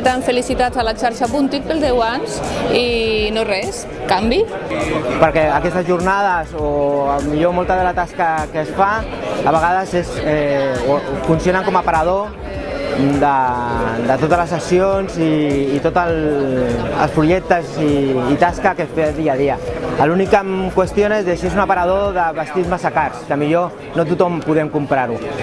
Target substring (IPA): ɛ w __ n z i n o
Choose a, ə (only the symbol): a